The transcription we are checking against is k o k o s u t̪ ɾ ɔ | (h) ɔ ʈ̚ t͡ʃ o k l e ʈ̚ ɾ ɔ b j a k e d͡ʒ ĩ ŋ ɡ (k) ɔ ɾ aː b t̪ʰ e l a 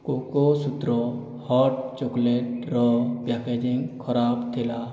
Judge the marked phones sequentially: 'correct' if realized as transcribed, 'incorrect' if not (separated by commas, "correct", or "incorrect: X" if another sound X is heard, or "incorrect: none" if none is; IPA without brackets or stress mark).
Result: correct, incorrect: kʰ